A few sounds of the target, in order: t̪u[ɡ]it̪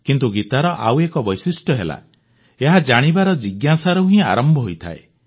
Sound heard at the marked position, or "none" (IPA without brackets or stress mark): ɡ